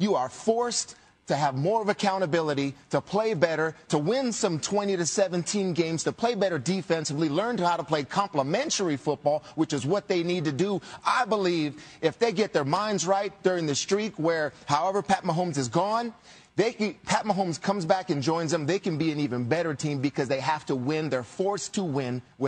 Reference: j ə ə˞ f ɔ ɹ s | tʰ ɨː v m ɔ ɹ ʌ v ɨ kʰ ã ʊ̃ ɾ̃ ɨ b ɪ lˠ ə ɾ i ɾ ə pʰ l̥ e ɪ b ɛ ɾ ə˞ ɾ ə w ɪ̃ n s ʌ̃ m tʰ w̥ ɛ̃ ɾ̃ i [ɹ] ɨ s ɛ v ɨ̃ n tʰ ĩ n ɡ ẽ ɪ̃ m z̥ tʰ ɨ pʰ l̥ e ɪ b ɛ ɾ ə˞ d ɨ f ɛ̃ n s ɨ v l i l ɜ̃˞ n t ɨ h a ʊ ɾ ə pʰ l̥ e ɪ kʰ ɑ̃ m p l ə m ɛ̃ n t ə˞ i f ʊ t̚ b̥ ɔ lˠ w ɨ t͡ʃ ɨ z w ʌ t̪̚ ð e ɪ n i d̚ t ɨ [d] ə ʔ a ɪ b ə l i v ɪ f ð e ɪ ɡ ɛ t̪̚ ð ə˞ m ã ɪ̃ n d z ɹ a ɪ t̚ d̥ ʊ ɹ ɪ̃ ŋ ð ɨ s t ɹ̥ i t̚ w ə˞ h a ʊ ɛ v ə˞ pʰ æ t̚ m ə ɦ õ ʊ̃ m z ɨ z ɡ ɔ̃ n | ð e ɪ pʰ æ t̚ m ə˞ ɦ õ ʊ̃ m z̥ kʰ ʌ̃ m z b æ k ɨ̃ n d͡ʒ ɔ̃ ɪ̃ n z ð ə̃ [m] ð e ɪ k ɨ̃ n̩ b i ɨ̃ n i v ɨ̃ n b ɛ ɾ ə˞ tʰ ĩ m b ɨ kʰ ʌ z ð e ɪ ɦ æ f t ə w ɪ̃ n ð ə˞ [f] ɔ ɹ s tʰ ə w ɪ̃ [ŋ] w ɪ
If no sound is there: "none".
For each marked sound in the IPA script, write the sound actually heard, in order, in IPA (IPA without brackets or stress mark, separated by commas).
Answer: ɾ, d, m, f, n